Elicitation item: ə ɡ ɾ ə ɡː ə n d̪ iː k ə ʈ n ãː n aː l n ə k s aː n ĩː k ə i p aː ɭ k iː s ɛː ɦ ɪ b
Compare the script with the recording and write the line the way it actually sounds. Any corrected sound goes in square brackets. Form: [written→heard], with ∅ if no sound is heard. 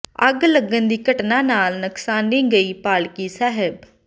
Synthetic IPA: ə ɡ [ɾ→l] ə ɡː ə n d̪ iː k ə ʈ n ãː n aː l n ə k s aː n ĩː [k→ɡ] ə [i→iː] p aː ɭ k iː s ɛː ɦ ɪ b